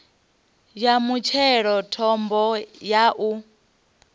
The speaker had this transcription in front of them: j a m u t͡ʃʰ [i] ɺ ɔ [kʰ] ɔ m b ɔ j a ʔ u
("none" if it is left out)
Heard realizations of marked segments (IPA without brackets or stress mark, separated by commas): ɛ, tʰ